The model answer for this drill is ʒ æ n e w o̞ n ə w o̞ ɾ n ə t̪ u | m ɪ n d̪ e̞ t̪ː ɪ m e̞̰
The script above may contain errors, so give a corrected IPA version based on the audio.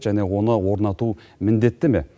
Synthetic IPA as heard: ʒ æ n e w o̞ n ə w o̞ ɾ n ɑ t̪ u | m ɪ n d̪ e̞ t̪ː ɪ m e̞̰